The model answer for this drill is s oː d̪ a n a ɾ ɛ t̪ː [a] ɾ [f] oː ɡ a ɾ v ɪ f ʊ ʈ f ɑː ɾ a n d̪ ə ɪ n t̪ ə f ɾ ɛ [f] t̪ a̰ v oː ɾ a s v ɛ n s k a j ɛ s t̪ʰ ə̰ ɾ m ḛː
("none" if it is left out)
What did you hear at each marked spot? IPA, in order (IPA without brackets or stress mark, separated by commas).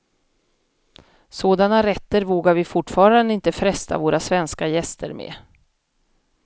ə, v, s